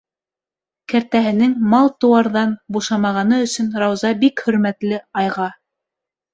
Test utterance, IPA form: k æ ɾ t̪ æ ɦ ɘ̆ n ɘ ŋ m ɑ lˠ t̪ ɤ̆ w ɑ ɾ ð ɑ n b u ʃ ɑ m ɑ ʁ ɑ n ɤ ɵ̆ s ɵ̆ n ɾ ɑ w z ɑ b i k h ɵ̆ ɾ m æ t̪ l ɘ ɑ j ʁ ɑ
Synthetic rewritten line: k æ ɾ t̪ æ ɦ ɘ̆ n ɘ ŋ m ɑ lˠ t̪ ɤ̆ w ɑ ɾ ð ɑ n b u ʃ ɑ m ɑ ʁ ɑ n ɤ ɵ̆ s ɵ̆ n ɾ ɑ w z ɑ b i k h ɵ̆ ɾ m æ t̪ l ɘ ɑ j ʁ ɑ